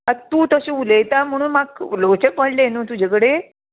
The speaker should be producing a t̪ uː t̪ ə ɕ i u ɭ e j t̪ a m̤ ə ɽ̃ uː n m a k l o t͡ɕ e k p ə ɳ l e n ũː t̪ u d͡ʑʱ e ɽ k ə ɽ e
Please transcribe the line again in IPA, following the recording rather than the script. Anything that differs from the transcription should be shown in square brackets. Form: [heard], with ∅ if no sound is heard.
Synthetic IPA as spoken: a t̪ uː t̪ ə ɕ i u [l] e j t̪ a m̤ ə ɽ̃ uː n m a k l o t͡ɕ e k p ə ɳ l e n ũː t̪ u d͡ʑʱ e [∅] k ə ɽ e